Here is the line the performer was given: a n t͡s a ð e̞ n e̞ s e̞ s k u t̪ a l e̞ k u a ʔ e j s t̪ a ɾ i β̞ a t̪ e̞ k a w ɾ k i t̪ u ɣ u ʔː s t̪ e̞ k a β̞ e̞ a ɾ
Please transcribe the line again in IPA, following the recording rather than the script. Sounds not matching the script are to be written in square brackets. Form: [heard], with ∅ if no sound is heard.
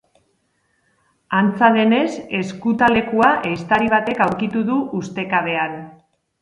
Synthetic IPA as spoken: a n t͡s a ð e̞ n e̞ s e̞ s k u t̪ a l e̞ k u a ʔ e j s t̪ a ɾ i β̞ a t̪ e̞ k a w ɾ k i t̪ u [ð] u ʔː s t̪ e̞ k a β̞ e̞ a ɾ